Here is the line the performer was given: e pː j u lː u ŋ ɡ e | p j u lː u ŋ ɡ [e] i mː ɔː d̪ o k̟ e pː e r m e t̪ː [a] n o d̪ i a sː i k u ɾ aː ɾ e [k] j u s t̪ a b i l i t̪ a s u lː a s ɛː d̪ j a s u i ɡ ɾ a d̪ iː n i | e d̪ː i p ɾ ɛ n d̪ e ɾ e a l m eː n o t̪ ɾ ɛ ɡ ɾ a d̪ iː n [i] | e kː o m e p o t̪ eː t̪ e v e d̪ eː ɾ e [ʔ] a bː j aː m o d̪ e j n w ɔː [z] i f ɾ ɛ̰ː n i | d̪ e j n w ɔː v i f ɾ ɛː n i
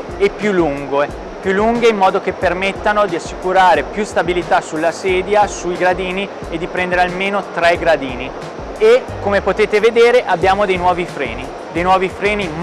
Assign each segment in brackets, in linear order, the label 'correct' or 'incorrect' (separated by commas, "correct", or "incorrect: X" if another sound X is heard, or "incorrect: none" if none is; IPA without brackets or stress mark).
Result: correct, correct, incorrect: p, correct, correct, incorrect: v